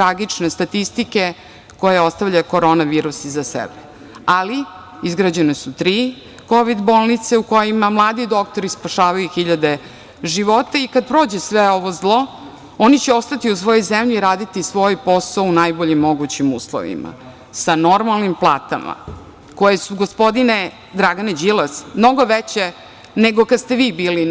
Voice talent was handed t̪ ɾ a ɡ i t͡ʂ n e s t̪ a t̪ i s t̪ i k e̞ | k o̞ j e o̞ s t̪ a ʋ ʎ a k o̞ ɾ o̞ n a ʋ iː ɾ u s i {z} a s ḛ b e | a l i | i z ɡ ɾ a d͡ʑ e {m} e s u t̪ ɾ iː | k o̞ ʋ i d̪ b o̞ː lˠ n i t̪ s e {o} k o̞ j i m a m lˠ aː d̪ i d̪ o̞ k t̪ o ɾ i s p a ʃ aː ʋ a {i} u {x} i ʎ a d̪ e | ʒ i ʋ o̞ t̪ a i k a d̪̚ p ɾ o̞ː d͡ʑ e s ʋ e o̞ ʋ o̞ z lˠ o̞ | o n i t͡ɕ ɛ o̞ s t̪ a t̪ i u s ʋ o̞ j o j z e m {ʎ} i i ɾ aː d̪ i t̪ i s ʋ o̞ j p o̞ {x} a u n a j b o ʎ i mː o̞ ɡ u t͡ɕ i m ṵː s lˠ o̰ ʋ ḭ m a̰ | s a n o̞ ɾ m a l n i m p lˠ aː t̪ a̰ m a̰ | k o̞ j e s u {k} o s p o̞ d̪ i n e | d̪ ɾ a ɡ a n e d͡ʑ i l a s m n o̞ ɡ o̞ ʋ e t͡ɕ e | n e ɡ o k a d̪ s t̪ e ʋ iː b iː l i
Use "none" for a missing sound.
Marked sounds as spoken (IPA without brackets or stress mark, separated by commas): z, n, u, j, x, ʎ, s, ɡ